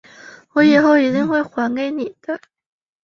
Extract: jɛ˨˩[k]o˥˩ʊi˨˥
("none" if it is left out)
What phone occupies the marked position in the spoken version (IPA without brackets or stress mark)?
x